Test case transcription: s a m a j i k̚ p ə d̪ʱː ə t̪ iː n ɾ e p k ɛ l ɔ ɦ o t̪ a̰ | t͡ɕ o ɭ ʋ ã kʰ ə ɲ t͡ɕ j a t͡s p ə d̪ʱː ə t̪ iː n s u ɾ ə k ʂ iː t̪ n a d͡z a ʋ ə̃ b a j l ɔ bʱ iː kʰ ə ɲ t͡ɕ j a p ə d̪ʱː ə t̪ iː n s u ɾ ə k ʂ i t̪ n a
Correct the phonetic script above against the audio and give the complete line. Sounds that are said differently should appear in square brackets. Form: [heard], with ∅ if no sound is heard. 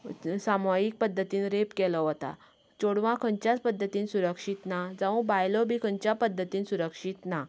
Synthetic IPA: s a m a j i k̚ p ə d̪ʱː ə t̪ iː n ɾ e p k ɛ l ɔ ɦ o t̪ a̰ | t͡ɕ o [ɽ] ʋ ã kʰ ə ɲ t͡ɕ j a t͡s p ə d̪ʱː ə t̪ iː n s u ɾ ə k ʂ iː t̪ n a d͡z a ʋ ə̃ b a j l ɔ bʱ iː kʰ ə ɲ t͡ɕ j a p ə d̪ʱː ə t̪ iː n s u ɾ ə k ʂ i t̪ n a